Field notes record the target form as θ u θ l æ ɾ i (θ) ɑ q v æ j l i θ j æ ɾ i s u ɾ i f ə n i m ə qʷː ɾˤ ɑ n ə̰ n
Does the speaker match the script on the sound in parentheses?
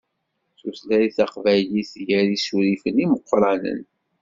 yes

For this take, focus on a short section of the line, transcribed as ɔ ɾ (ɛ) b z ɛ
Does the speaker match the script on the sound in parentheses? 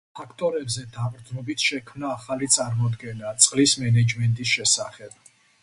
yes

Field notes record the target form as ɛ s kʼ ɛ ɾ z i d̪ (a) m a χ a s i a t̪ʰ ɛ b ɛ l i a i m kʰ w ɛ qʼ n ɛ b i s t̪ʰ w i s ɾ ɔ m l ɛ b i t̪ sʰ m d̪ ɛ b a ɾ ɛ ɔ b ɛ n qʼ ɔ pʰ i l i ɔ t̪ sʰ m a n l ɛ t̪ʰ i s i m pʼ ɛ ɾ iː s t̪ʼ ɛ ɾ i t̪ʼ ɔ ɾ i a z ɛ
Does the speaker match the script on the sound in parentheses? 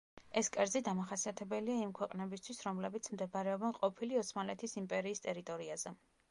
yes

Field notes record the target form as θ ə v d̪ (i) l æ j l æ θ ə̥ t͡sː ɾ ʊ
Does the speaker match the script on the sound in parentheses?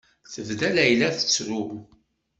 no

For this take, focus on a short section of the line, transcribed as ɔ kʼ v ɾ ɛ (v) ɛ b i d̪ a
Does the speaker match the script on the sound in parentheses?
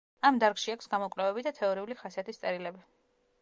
yes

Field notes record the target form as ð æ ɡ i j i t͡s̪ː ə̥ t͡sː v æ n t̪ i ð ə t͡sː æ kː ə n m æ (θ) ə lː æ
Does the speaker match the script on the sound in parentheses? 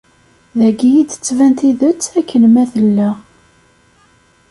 yes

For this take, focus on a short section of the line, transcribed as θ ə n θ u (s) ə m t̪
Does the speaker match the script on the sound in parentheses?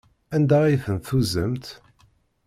no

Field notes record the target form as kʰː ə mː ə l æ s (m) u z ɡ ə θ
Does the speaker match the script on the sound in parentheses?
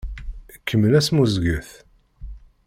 yes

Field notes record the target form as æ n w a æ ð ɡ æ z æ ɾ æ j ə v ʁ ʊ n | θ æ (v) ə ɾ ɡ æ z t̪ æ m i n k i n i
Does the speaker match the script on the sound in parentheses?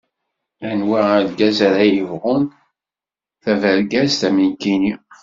yes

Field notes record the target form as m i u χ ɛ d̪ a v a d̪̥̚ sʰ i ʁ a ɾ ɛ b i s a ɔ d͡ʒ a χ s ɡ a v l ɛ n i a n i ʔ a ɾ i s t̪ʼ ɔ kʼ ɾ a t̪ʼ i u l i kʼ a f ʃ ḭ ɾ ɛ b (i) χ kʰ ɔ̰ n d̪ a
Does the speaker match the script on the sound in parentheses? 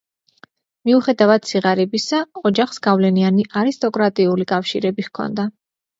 yes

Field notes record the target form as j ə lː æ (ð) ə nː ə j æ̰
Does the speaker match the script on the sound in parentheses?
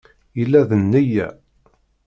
yes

